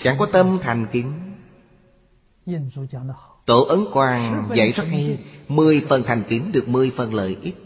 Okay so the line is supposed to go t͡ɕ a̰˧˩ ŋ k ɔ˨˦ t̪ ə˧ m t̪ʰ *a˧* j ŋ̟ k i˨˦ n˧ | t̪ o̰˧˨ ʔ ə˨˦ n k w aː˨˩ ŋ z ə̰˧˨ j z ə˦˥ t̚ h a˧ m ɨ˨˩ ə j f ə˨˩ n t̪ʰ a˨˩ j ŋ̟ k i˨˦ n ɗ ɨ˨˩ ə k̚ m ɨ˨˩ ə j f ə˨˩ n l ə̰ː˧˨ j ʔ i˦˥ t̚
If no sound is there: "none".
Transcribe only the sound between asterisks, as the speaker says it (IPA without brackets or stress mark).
a˨˩